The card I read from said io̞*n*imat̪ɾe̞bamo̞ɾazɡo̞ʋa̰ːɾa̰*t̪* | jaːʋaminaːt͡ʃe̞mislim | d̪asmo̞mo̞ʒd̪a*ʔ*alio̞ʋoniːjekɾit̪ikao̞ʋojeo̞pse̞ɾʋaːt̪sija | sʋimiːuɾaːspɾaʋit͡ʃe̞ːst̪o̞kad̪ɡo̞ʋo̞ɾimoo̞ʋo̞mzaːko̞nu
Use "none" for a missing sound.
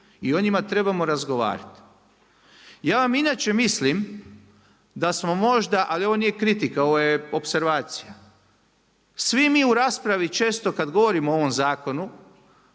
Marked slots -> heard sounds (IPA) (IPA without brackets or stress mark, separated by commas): ɲ, t̪, ʔ